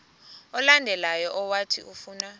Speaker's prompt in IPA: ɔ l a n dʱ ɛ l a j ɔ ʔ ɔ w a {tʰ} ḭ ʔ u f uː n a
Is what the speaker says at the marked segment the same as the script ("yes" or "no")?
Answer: yes